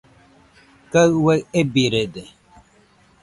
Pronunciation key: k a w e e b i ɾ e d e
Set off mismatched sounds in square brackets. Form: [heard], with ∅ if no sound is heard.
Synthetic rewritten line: k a w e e b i ɾ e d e

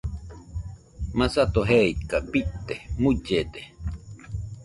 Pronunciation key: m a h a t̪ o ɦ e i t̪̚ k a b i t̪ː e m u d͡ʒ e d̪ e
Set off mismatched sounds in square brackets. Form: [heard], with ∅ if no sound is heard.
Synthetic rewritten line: m a [s] a t̪ o ɦ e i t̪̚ k a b i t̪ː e m u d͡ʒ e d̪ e

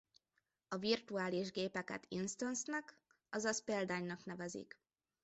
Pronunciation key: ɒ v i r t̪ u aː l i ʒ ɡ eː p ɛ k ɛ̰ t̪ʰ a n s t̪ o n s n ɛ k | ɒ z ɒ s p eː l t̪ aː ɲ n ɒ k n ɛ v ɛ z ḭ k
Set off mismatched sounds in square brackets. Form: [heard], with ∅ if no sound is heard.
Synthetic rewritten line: ɒ v i r t̪ u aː l i ʒ ɡ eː p ɛ k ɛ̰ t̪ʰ [i] n s t̪ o n s n ɛ k | ɒ z ɒ s p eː l [d̪] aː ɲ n ɒ k n ɛ v ɛ z ḭ k

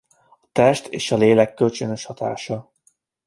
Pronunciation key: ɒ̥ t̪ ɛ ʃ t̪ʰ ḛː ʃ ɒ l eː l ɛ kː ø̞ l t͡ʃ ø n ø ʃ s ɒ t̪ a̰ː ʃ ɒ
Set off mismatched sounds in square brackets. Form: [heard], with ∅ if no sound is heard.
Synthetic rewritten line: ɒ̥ t̪ ɛ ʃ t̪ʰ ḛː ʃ ɒ l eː l ɛ kː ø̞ l t͡ʃ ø n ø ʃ [h] ɒ t̪ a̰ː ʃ ɒ

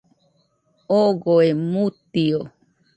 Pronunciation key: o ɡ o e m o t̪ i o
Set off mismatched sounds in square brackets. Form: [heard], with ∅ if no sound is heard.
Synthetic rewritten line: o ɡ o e m [u] t̪ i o

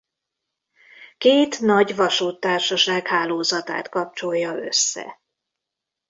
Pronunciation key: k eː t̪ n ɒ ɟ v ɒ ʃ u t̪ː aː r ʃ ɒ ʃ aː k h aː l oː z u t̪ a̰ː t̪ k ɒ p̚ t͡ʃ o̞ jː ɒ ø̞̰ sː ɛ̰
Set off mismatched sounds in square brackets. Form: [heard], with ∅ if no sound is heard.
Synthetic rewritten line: k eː t̪ n ɒ ɟ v ɒ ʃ u t̪ː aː r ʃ ɒ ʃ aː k h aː l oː z [ɒ] t̪ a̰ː t̪ k ɒ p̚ t͡ʃ o̞ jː ɒ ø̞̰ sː ɛ̰

